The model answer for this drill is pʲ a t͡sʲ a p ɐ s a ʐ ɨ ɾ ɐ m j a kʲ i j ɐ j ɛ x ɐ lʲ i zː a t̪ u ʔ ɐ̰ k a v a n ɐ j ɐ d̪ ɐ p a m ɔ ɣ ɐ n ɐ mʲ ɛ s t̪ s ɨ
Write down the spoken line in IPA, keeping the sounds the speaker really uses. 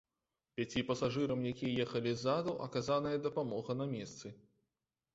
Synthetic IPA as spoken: pʲ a t͡sʲ i p ɐ s a ʐ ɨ ɾ ɐ m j a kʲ i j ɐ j ɛ x ɐ lʲ i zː a d̪ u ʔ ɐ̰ k a z a n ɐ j ɐ d̪ ɐ p a m ɔ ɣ ɐ n ɐ mʲ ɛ s t̪ s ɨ